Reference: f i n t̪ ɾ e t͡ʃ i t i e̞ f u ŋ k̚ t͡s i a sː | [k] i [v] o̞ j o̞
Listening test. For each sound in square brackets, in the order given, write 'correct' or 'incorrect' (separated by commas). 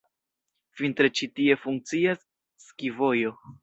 correct, correct